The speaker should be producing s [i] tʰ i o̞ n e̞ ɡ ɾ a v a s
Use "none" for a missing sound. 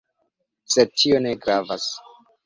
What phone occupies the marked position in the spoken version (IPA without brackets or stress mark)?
e